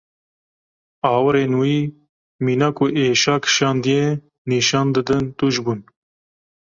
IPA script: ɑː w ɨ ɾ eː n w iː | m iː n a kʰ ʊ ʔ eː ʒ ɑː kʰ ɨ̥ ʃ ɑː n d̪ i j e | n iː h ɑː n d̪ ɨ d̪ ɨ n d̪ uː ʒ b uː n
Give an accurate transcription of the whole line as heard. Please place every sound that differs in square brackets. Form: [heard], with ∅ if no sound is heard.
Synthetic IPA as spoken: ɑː w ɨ ɾ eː n w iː | m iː n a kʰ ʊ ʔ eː [ʃ] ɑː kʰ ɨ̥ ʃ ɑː n d̪ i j e | n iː [ʃ] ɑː n d̪ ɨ d̪ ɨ n [t̪] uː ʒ b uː n